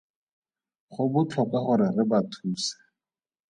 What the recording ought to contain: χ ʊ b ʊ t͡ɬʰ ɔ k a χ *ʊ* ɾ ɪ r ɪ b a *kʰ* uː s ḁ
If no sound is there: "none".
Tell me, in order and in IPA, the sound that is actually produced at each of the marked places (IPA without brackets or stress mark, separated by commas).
ʊ, tʰ